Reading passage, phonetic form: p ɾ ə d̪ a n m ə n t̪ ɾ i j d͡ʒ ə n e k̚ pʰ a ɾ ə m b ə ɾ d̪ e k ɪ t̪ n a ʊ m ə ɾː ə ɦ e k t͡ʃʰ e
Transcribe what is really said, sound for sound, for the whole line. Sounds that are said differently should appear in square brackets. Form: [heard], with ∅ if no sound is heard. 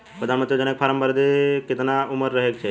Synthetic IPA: p ɾ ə d̪ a n m ə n t̪ ɾ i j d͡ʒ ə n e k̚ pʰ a ɾ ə m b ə ɾ d̪ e k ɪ t̪ n a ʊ m ə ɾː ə ɦ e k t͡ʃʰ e